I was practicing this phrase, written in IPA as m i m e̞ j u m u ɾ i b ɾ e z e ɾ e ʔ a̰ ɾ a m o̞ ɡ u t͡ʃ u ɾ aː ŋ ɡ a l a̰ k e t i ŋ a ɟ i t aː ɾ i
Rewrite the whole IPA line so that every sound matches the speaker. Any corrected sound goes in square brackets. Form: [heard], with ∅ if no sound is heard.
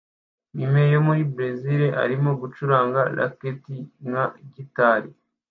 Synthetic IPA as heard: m i m e̞ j [o] m u ɾ i b ɾ e z [i] ɾ e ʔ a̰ ɾ [i] m o̞ ɡ u t͡ʃ u ɾ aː ŋ ɡ a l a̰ k e t i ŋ a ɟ i t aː ɾ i

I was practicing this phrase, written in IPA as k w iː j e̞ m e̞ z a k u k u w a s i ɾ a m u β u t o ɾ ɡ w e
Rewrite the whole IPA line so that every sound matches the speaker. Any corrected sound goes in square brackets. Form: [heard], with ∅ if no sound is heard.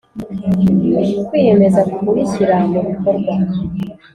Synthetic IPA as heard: k w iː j e̞ m e̞ z a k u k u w [i] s i ɾ a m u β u [k] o ɾ ɡ w [a]

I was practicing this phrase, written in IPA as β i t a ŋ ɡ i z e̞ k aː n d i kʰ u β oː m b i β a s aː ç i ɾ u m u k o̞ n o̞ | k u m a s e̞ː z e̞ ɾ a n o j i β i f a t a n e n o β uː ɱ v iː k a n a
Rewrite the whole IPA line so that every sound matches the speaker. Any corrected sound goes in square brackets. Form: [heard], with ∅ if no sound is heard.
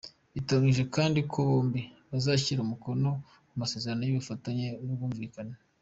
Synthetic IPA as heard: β i t a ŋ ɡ i [ʒ] e̞ k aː n d i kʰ [o] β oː m b i β a [z] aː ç i ɾ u m u k o̞ n o̞ | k u m a s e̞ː z e̞ ɾ a n o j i β i f a t a [ɲ] e n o β uː ɱ v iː k a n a

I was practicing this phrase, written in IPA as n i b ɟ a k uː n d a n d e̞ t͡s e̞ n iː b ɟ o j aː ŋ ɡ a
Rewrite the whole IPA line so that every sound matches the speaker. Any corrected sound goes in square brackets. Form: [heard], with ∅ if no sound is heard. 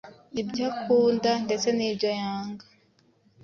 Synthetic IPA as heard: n i b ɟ a k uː n d a n d e̞ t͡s e̞ n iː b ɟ o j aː ŋ ɡ a

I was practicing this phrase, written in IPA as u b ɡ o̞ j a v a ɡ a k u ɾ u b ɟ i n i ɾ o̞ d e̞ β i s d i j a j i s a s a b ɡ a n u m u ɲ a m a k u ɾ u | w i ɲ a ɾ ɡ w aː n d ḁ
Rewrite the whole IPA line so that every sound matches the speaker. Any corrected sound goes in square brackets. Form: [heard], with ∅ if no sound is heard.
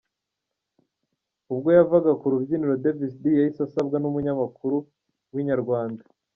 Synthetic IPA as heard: u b ɡ o̞ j a v a ɡ a k u ɾ u b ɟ i n i ɾ o̞ d e̞ [v] i s d i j a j i s a s a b ɡ a n u m u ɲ a m a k u ɾ u | w i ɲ a ɾ ɡ w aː n d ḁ

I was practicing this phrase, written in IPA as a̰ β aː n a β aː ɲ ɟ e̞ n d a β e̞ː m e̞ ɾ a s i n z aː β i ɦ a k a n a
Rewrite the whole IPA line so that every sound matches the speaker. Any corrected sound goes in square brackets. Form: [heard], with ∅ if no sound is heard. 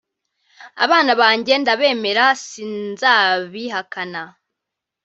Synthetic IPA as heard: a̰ β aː n a β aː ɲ ɟ e̞ n d a β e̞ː m e̞ ɾ a s i n z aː β i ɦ a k a n a

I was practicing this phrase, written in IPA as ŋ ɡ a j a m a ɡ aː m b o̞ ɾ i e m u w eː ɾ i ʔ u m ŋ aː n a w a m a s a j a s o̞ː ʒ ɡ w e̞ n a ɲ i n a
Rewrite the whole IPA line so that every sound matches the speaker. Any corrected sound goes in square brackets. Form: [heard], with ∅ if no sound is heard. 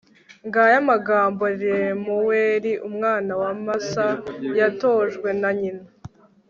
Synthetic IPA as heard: ŋ ɡ a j a m a ɡ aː m b o̞ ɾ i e m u w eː ɾ i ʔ u m ŋ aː n a w a m a s a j a [t] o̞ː ʒ ɡ w e̞ n a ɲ i n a

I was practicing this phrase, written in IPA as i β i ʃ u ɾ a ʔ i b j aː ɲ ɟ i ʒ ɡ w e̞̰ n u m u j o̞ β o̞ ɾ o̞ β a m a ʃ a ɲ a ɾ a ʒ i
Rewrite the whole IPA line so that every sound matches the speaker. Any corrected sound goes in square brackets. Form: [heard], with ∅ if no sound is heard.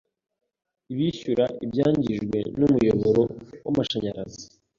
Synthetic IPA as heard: i β i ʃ u ɾ a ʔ i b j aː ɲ ɟ i ʒ ɡ w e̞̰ n u m u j o̞ β o̞ ɾ o̞ [w] a m a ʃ a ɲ a ɾ a [z] i

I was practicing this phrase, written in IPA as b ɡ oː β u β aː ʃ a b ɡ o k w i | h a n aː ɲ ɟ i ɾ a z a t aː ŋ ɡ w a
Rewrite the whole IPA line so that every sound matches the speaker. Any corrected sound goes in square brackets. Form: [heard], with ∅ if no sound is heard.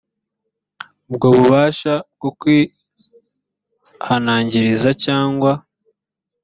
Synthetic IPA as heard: b ɡ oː β u β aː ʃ a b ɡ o k w i | h a n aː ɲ ɟ i ɾ [i] z a [c] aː ŋ ɡ w a

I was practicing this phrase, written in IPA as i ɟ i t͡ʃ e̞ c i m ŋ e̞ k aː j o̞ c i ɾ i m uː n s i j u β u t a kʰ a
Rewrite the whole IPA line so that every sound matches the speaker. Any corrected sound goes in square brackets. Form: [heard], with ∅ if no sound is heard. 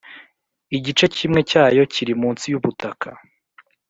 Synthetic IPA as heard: i ɟ i t͡ʃ e̞ c i m ŋ e̞ [c] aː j o̞ c i ɾ i m uː n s i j u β u t a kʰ a

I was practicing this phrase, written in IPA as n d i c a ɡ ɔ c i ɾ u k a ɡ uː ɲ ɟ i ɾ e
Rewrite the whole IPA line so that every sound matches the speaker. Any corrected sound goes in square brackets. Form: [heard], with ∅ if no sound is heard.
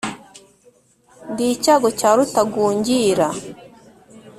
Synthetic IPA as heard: n d i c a ɡ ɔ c [a] ɾ u [t] a ɡ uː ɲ ɟ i ɾ [a]

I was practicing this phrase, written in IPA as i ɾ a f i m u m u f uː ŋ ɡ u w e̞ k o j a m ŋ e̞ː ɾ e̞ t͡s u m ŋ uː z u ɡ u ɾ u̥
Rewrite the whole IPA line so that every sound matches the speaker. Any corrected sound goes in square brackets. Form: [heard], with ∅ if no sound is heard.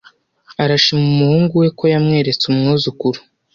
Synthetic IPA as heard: [a] ɾ a [ʃ] i m u m u [h] uː ŋ ɡ u w e̞ k o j a m ŋ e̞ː ɾ e̞ t͡s u m ŋ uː z u [k] u ɾ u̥

